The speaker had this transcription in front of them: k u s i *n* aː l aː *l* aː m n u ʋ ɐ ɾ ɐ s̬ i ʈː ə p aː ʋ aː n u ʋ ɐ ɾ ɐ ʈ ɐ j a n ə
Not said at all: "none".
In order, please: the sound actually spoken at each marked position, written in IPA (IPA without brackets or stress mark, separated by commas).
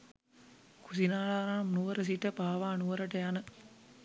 n, ɾ